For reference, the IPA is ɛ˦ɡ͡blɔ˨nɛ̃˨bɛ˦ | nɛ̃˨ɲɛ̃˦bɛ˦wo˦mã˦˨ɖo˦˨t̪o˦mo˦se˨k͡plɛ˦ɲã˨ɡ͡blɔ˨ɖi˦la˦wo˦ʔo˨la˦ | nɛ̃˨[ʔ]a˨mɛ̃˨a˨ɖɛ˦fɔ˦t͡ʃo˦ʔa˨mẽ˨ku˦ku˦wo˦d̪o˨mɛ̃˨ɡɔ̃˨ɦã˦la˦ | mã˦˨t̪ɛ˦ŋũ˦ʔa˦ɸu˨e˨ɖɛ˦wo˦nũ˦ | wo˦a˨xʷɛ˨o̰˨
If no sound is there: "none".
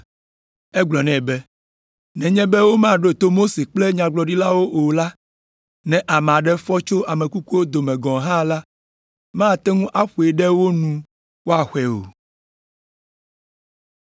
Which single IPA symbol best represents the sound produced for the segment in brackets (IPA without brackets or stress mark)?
ʔ